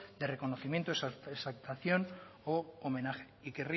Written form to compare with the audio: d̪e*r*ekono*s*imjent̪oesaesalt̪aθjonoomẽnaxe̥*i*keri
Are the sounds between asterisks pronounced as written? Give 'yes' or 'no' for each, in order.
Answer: yes, no, yes

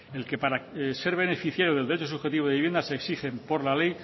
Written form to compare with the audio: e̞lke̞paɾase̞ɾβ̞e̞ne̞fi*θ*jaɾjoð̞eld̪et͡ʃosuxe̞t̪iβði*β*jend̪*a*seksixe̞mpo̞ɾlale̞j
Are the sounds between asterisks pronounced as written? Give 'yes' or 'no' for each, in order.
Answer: yes, yes, yes

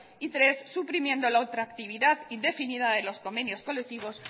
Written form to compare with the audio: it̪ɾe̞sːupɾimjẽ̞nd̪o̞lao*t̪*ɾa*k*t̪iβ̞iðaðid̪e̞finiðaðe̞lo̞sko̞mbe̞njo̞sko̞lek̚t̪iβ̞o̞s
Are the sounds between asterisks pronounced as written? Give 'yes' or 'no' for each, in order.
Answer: yes, yes

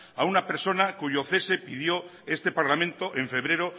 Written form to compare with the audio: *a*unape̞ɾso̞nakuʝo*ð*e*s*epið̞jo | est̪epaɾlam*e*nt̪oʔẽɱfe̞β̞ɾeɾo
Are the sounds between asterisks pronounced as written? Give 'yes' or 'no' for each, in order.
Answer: yes, no, yes, no

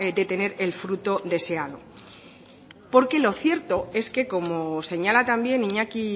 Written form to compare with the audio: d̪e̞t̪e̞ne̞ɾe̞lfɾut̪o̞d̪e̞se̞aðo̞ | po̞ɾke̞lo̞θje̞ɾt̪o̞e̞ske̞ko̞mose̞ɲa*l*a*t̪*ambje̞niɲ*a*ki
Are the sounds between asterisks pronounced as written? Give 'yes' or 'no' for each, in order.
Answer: yes, yes, yes

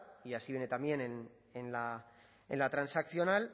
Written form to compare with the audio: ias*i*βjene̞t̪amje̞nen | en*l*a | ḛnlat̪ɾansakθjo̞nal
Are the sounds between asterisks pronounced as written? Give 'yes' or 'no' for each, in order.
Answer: yes, yes

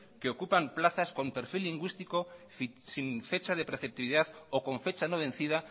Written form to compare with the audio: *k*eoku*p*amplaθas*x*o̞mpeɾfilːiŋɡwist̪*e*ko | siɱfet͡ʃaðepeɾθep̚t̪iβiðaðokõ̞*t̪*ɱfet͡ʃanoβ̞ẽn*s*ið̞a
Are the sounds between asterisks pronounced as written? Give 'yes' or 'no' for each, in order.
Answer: yes, yes, no, no, no, no

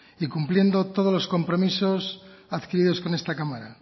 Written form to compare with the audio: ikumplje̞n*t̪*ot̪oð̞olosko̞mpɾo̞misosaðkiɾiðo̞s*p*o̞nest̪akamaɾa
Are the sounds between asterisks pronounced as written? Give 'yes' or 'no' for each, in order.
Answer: no, no

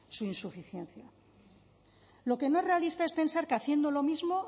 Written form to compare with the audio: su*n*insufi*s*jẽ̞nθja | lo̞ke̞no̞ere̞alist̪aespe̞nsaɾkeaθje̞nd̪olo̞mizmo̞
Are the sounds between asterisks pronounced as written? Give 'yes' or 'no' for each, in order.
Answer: no, no

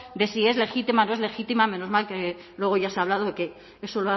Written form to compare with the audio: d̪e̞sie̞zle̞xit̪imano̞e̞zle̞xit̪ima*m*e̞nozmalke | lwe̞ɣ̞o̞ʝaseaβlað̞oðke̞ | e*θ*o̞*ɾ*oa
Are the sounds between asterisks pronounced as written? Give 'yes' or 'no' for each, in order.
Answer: yes, no, no

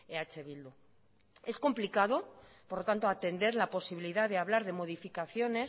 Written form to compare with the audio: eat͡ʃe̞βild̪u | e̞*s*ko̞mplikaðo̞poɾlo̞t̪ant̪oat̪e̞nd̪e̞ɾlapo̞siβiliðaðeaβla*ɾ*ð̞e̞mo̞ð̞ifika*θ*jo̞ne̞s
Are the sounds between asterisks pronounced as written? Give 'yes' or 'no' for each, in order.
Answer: yes, yes, yes

